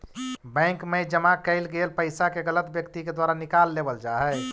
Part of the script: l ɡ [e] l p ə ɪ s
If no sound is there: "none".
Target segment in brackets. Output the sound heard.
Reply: e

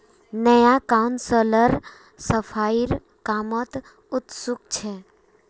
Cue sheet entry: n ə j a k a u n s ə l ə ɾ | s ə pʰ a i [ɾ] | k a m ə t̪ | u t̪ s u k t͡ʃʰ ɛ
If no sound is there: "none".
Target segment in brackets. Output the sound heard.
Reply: ɾ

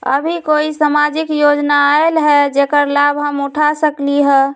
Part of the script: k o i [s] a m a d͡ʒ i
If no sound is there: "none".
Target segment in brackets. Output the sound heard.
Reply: s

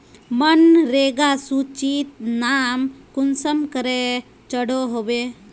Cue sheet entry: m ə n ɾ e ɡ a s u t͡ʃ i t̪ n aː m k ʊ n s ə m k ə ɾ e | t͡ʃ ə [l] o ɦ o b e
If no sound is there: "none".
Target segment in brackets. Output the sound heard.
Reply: ɽ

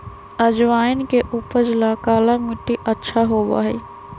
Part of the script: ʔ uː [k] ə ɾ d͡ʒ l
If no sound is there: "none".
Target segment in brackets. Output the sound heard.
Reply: p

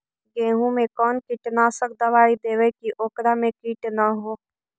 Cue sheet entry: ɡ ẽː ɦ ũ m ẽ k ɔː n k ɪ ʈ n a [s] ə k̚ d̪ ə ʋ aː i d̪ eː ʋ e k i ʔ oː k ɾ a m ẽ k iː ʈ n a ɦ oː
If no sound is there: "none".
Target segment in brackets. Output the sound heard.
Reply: s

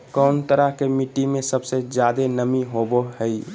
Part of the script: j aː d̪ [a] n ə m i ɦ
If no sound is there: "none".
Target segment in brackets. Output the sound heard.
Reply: e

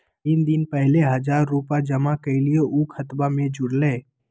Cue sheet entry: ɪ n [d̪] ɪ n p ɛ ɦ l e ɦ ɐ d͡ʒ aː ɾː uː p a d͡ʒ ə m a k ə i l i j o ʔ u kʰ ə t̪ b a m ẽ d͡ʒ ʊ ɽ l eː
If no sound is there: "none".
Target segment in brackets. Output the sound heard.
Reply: d̪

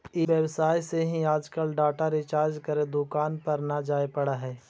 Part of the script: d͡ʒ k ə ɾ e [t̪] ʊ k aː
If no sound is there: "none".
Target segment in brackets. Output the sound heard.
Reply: d̪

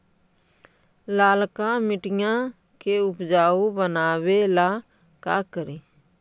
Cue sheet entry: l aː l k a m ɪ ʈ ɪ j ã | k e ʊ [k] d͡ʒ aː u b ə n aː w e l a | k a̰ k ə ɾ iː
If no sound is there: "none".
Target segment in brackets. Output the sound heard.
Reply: p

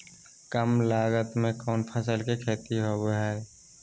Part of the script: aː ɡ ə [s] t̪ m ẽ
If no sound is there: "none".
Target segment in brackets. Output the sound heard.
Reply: none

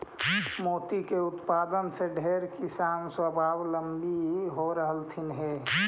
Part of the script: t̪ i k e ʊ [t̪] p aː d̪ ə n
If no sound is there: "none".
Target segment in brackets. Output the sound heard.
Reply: t̪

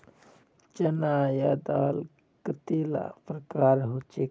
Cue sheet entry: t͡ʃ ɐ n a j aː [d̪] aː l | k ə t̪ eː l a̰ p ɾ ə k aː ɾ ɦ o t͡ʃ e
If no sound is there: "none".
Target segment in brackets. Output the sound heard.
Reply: d̪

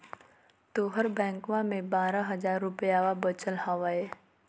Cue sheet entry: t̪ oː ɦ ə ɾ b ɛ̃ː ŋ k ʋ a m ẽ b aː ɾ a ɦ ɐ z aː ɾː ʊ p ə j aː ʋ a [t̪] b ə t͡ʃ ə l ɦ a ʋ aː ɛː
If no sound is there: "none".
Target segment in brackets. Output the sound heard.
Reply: none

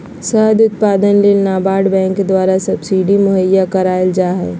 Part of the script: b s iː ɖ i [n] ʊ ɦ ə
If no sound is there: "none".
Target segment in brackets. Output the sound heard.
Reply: m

